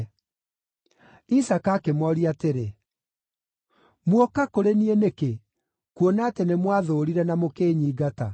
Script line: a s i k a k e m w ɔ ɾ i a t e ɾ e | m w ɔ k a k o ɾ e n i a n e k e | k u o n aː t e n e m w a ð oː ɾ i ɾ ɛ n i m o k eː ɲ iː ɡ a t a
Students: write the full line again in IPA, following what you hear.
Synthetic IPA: i s a k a k e m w ɔ ɾ i a t e ɾ e | m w ɔ k a k o ɾ e n i e n e k e | k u o n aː t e n e m w a ð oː ɾ i ɾ ɛ n a m o k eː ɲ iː ɡ a t a